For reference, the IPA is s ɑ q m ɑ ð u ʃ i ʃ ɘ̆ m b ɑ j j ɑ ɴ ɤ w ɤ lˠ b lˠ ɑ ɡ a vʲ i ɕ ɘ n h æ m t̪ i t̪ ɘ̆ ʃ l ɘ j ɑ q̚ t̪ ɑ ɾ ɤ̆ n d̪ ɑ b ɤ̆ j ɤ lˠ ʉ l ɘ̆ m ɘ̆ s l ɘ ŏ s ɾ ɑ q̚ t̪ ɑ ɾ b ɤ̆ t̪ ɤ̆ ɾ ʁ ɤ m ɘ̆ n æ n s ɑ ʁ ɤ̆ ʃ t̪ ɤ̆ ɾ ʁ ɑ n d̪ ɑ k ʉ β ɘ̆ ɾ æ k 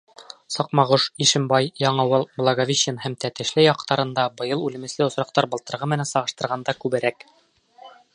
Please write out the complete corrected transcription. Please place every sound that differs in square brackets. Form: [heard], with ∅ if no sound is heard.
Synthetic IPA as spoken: s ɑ q m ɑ [ʁ] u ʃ i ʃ ɘ̆ m b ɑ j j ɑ ɴ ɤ w ɤ lˠ b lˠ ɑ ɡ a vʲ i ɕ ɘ n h æ m t̪ [æ] t̪ ɘ̆ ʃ l ɘ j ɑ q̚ t̪ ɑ ɾ ɤ̆ n d̪ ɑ b ɤ̆ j ɤ lˠ ʉ l ɘ̆ m ɘ̆ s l ɘ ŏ s ɾ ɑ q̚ t̪ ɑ ɾ b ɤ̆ t̪ ɤ̆ ɾ ʁ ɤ m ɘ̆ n æ n s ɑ ʁ ɤ̆ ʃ t̪ ɤ̆ ɾ ʁ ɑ n d̪ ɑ k ʉ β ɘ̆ ɾ æ k